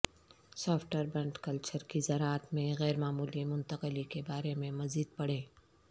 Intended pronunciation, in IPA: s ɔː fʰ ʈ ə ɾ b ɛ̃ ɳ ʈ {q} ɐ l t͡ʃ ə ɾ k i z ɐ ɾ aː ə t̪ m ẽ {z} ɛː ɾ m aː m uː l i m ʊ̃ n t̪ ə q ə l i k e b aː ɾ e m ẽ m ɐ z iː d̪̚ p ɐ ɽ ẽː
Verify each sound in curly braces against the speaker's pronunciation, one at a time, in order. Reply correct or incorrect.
incorrect: k, incorrect: ɣ

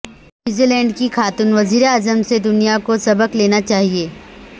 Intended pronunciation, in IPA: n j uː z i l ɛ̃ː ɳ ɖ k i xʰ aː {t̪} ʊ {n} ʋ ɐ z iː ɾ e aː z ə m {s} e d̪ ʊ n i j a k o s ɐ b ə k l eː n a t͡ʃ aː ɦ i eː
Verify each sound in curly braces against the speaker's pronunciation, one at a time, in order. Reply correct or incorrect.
correct, correct, correct

